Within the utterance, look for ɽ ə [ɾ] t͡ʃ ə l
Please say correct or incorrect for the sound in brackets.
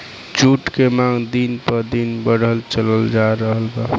incorrect